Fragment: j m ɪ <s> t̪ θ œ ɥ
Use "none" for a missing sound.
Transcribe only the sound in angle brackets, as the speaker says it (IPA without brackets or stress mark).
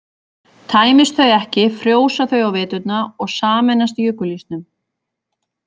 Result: s